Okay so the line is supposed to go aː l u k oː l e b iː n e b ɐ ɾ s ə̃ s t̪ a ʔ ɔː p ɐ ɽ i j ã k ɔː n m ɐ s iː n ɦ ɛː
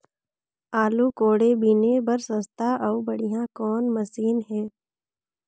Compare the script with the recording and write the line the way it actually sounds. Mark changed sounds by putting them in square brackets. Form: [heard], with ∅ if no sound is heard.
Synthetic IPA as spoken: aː l u k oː [ɽ] e b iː n e b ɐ ɾ s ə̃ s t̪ a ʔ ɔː [b] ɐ ɽ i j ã k ɔː n m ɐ s iː n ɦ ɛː